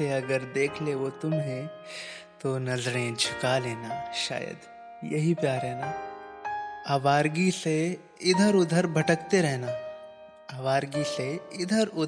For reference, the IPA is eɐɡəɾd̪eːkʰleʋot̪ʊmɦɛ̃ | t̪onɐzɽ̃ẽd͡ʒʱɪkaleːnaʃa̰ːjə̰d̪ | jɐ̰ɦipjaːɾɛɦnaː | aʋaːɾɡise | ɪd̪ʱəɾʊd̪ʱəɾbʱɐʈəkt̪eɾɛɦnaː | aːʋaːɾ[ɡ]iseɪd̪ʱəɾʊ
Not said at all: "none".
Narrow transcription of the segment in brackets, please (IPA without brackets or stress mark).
ɡ